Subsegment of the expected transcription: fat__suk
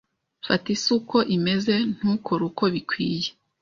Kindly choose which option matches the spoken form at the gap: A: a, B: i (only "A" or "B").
B